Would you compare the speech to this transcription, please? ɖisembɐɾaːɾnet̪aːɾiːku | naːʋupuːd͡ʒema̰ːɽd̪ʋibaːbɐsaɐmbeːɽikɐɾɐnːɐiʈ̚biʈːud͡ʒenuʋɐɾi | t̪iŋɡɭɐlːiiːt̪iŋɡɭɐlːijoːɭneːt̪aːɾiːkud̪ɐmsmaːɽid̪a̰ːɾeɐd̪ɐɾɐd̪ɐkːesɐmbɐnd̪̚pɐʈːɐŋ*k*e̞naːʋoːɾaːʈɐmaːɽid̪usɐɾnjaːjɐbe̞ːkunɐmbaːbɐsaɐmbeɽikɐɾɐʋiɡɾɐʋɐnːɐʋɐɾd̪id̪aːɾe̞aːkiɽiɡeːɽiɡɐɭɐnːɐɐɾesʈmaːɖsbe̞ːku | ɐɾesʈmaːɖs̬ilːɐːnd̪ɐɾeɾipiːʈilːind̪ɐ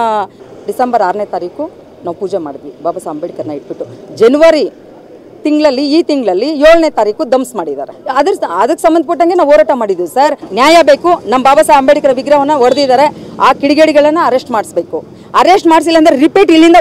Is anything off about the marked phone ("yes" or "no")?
yes